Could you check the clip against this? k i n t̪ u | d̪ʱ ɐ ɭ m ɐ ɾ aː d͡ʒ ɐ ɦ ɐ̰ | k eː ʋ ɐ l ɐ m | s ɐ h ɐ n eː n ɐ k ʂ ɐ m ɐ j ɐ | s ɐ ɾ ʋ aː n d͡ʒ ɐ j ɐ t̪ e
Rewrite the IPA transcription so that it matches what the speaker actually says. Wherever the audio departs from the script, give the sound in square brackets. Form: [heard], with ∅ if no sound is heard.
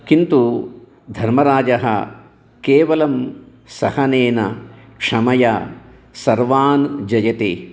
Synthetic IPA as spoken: k i n t̪ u | d̪ʱ ɐ [ɾ] m ɐ ɾ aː d͡ʒ ɐ ɦ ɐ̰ | k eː ʋ ɐ l ɐ m | s ɐ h ɐ n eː n ɐ k ʂ ɐ m ɐ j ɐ | s ɐ ɾ ʋ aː n d͡ʒ ɐ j ɐ t̪ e